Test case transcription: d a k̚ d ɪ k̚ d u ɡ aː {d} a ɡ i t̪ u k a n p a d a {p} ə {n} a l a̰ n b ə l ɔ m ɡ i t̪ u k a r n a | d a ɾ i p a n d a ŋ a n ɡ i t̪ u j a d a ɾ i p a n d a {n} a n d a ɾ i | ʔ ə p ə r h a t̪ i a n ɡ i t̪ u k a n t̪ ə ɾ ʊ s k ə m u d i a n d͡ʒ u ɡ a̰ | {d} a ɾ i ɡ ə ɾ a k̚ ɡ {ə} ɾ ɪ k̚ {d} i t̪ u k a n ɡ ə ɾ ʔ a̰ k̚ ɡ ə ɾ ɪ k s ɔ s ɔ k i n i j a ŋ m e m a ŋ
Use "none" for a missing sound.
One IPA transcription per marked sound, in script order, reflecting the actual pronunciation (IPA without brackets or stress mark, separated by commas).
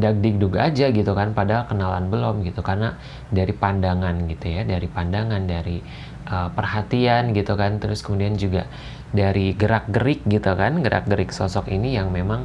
d͡ʒ, k, n, ŋ, d, ə, ɡ